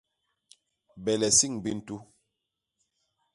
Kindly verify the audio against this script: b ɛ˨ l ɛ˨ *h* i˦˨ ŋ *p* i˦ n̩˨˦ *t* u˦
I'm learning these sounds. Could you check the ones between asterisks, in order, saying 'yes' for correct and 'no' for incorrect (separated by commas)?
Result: no, no, yes